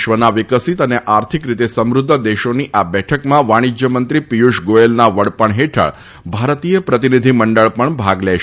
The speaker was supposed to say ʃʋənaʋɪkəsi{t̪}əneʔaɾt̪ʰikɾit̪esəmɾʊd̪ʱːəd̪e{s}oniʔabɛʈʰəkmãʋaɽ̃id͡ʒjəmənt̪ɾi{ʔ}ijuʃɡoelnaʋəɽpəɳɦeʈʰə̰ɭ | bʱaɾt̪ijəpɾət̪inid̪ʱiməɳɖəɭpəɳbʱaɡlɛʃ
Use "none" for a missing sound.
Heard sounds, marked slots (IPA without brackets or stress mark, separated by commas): t̪, ʃ, p